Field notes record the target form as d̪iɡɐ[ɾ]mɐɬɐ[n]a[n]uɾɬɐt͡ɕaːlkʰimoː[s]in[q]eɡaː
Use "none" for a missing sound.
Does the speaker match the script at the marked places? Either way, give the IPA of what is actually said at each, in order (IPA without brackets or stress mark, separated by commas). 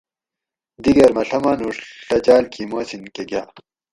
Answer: ɾ, m, n, s, k